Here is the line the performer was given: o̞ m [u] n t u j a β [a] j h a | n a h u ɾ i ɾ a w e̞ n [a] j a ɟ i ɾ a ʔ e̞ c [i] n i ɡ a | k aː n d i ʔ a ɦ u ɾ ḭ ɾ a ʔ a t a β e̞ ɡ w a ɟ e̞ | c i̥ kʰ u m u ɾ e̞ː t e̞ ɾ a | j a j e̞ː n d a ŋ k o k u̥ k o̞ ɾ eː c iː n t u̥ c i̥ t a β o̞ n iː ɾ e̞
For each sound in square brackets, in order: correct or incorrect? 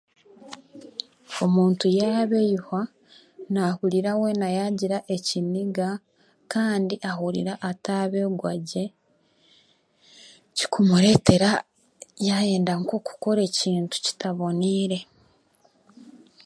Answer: incorrect, incorrect, correct, correct

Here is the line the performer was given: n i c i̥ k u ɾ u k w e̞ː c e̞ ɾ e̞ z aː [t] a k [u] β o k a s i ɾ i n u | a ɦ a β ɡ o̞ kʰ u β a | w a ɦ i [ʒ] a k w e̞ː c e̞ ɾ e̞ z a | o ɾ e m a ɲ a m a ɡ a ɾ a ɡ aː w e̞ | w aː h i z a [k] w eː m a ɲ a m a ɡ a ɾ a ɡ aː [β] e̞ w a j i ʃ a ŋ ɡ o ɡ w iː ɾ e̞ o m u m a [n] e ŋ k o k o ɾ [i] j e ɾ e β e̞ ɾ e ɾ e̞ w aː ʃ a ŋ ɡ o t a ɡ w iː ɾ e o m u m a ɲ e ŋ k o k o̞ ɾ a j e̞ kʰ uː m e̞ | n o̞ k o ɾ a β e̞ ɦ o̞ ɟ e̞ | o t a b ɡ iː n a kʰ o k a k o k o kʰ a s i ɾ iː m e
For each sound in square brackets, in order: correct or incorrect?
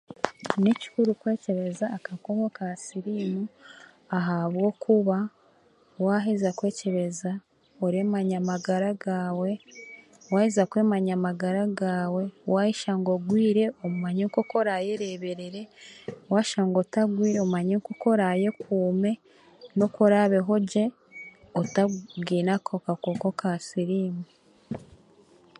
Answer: incorrect, incorrect, incorrect, correct, incorrect, incorrect, incorrect

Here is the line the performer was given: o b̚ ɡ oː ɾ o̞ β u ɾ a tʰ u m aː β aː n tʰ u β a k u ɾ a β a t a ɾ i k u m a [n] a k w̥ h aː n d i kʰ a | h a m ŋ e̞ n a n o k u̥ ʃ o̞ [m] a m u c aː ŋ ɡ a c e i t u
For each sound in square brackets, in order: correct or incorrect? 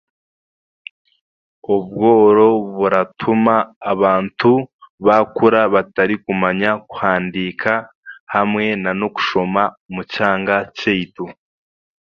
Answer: incorrect, correct

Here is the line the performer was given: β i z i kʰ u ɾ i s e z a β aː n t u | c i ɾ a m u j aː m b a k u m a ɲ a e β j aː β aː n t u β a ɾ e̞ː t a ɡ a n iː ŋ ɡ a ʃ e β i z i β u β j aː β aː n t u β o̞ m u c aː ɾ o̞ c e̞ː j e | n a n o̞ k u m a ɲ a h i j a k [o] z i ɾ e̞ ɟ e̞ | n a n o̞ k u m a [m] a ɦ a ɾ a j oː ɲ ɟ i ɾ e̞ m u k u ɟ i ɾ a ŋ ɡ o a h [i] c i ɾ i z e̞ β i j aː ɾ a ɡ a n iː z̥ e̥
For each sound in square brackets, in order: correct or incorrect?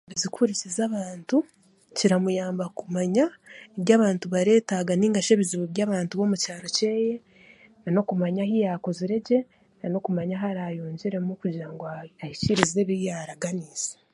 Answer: correct, incorrect, correct

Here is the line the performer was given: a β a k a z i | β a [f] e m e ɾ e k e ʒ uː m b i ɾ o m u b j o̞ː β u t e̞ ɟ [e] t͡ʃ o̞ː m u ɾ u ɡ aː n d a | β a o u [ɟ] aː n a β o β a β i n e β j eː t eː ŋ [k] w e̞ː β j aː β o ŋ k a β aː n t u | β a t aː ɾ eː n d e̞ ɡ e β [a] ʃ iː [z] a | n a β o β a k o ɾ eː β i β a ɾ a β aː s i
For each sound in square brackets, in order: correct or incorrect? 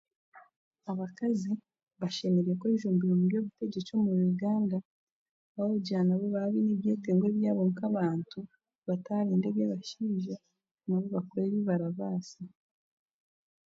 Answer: incorrect, correct, correct, incorrect, correct, incorrect

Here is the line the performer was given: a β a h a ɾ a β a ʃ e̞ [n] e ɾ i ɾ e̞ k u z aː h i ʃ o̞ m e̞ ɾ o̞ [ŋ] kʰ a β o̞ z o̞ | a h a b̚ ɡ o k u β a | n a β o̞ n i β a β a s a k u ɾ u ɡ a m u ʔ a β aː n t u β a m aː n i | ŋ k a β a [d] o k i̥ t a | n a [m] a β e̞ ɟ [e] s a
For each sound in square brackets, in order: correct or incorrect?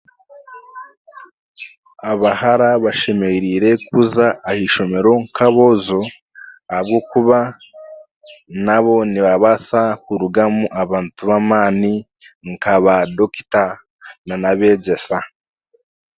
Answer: incorrect, correct, correct, incorrect, correct

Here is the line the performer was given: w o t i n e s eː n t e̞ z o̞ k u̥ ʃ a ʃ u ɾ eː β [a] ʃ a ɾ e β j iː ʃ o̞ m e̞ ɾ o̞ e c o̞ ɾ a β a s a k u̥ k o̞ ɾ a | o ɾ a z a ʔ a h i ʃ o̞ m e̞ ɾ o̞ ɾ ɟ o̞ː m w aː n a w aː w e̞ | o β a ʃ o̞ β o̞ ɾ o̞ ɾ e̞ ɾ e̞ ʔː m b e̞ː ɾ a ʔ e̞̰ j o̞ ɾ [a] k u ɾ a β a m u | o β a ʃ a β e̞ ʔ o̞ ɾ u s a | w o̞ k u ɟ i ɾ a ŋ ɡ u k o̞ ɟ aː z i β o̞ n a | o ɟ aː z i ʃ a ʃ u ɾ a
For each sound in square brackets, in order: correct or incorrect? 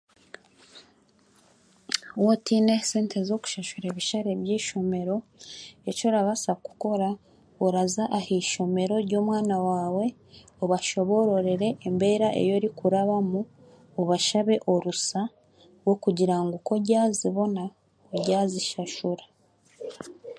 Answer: incorrect, incorrect

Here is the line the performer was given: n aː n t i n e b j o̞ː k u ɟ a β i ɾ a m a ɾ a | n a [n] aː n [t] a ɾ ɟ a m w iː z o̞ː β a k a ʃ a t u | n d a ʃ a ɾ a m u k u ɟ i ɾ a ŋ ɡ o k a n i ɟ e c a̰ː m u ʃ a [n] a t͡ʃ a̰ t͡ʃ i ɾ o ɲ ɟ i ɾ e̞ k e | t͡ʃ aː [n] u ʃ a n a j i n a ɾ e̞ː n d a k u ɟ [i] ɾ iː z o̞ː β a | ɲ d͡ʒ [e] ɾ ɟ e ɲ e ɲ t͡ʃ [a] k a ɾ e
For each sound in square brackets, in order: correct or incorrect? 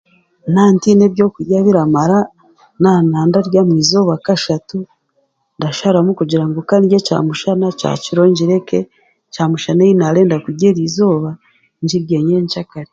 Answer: correct, incorrect, correct, incorrect, incorrect, incorrect, correct

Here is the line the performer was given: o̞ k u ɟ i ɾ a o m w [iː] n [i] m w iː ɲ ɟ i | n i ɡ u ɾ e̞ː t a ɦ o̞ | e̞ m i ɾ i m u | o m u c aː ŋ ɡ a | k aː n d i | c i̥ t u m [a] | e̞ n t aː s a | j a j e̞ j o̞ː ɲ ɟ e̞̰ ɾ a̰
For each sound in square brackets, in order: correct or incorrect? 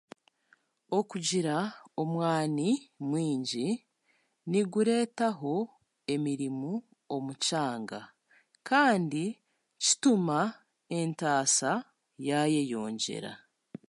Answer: incorrect, correct, correct

